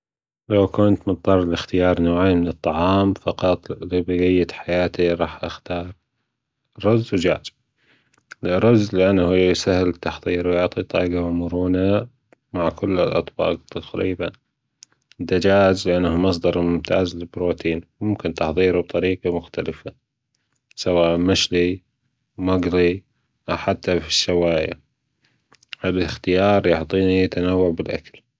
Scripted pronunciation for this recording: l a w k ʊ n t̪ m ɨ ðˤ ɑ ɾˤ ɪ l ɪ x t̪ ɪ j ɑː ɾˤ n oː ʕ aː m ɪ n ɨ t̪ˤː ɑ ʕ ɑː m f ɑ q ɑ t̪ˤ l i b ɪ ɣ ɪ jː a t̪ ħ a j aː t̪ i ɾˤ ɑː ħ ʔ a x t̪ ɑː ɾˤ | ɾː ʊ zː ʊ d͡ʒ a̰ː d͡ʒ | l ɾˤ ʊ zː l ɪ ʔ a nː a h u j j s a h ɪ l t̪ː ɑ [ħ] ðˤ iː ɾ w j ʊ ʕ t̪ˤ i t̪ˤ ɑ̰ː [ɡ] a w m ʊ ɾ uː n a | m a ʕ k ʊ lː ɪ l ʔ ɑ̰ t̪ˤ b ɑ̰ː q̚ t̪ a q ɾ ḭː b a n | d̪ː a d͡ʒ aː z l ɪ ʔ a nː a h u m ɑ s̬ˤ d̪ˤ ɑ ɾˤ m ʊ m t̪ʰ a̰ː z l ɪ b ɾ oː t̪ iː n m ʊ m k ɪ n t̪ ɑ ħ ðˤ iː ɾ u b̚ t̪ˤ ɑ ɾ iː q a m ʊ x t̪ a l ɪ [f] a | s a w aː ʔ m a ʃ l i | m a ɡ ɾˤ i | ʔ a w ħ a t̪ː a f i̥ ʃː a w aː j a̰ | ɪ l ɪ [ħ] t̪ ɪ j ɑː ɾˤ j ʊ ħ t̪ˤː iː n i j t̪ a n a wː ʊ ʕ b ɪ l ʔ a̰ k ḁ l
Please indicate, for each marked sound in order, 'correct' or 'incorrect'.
correct, correct, correct, incorrect: x

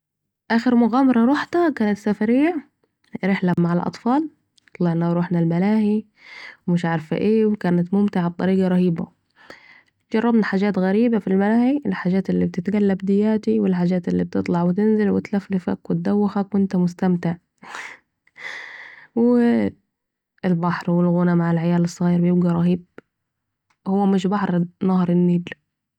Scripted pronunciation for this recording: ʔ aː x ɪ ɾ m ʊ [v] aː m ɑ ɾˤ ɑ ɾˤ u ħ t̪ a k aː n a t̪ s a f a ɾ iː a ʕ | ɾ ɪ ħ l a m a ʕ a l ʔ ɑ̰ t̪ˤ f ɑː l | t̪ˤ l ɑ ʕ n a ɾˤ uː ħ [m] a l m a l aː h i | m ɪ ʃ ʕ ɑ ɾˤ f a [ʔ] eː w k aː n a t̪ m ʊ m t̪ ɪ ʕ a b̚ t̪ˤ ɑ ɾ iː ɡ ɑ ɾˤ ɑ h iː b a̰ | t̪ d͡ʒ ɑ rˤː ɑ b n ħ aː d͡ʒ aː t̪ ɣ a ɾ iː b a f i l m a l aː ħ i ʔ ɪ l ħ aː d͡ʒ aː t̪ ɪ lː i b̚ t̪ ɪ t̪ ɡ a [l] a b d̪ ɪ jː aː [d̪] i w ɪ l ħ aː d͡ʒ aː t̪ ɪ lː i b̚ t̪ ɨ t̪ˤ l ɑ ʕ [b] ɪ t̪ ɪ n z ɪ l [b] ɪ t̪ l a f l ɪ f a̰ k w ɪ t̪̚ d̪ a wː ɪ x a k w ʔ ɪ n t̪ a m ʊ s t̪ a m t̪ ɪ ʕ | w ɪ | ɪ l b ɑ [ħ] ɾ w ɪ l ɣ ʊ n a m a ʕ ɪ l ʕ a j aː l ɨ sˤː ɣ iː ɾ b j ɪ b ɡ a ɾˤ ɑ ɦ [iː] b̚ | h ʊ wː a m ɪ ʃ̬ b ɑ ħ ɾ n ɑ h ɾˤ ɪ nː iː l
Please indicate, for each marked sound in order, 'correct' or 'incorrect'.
incorrect: ɣ, incorrect: n, correct, incorrect: lː, incorrect: t̪, incorrect: w, incorrect: w, correct, correct

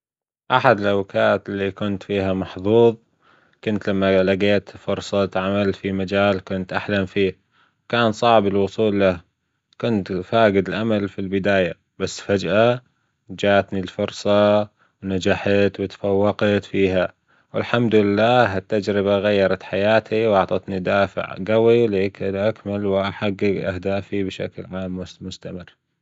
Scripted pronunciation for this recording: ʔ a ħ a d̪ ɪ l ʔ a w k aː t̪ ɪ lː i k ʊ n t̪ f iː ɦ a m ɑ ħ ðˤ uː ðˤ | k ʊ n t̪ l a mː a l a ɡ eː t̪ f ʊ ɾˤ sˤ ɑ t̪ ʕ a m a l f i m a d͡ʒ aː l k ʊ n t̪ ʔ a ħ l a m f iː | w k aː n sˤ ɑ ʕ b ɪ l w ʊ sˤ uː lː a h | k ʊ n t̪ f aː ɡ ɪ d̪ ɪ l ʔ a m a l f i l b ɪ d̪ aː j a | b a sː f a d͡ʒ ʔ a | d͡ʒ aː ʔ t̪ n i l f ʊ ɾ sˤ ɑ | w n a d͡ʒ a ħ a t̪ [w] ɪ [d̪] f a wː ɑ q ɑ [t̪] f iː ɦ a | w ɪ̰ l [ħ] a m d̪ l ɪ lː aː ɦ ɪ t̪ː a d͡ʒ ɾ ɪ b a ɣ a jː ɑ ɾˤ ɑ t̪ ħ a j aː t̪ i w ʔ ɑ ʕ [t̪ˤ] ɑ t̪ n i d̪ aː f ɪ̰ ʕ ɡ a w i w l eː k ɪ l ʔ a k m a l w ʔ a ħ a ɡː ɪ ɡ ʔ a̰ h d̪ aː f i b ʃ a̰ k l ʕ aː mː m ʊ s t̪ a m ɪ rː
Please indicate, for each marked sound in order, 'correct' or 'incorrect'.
correct, incorrect: t̪, correct, correct, correct

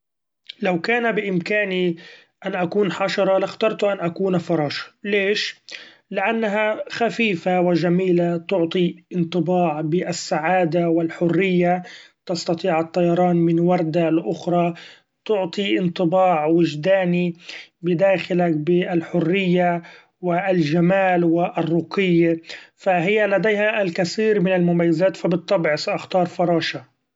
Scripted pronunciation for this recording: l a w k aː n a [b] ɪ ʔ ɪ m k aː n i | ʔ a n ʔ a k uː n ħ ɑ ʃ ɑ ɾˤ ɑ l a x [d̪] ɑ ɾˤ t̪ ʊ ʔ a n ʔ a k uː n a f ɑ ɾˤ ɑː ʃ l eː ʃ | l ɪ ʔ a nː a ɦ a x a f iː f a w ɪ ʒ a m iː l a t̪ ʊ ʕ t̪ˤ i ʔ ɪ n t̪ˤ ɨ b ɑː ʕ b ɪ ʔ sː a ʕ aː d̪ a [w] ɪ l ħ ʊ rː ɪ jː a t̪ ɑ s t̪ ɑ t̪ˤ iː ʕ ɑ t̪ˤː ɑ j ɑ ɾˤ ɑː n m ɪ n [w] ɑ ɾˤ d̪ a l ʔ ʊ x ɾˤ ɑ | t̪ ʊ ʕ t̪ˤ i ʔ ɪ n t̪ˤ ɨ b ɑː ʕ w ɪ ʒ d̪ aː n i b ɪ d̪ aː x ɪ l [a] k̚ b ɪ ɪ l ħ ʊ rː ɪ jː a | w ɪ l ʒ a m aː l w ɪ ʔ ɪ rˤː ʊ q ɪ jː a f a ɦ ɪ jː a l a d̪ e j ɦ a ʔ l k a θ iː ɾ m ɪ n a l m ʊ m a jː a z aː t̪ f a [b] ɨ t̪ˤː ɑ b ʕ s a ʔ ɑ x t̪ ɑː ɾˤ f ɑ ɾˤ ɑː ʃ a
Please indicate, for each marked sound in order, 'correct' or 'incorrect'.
correct, incorrect: t̪, correct, correct, correct, correct

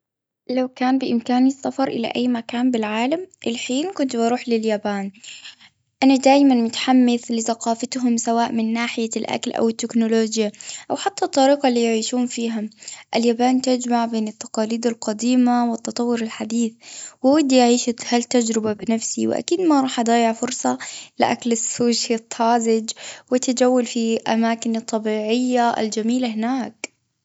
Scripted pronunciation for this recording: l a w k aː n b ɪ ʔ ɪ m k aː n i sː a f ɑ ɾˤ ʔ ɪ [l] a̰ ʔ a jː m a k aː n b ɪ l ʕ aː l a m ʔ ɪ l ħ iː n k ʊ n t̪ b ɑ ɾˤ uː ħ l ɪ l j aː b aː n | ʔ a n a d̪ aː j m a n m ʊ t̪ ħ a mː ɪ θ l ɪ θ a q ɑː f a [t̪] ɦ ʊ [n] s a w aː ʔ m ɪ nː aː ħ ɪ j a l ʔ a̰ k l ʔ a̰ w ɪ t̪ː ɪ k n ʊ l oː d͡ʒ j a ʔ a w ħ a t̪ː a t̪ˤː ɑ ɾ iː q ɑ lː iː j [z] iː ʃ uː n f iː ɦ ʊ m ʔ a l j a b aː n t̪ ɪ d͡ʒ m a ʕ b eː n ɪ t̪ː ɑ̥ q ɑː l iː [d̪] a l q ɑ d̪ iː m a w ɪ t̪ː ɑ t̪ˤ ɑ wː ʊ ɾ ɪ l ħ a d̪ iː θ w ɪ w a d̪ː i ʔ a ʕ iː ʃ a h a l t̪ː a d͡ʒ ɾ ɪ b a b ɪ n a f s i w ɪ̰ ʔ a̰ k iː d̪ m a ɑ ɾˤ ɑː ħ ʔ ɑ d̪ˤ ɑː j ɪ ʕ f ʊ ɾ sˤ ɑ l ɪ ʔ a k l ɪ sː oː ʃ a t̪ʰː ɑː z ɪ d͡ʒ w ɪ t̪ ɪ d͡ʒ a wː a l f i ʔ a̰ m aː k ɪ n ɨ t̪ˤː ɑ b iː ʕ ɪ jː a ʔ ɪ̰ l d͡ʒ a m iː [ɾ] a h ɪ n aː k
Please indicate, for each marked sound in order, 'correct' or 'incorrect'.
correct, correct, incorrect: m, incorrect: ʕ, correct, incorrect: l

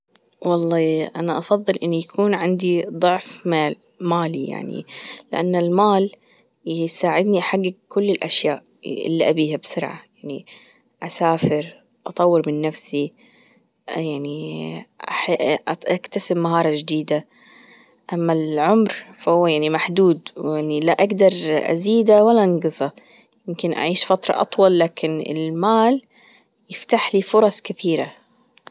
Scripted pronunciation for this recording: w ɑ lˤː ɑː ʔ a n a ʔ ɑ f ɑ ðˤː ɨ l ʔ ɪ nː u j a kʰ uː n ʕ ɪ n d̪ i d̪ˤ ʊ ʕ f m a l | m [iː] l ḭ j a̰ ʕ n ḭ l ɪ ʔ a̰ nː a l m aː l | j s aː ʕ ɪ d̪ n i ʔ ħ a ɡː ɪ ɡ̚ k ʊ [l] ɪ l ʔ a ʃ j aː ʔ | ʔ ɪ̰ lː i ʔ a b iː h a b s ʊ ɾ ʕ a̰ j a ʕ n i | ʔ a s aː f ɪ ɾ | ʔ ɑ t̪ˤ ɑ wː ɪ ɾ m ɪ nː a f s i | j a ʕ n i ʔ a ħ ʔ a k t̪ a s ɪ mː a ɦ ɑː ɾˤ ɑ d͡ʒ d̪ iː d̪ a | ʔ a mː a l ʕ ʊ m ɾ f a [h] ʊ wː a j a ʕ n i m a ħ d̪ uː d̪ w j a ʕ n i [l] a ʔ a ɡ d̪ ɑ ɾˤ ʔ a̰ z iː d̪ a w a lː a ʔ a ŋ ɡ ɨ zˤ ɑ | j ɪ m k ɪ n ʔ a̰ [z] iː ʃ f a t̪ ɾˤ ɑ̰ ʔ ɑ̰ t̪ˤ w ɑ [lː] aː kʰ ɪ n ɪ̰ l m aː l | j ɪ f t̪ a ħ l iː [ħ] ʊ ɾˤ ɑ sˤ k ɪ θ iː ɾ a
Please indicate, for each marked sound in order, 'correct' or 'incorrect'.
incorrect: aː, incorrect: lː, correct, correct, incorrect: ʕ, correct, incorrect: f

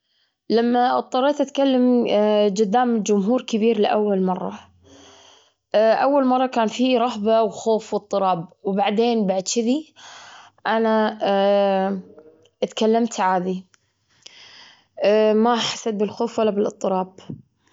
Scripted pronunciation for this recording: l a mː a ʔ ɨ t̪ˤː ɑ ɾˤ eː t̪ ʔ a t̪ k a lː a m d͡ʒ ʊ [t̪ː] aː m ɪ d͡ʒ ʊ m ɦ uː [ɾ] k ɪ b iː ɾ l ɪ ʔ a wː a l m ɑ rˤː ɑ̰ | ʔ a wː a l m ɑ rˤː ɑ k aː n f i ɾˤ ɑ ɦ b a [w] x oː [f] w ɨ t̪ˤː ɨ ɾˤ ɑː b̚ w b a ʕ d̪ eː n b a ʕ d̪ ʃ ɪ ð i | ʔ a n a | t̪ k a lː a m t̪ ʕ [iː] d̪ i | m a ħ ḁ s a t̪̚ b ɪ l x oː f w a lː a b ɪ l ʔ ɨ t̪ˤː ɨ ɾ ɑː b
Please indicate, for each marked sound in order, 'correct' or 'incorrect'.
incorrect: d̪ː, correct, correct, correct, incorrect: aː

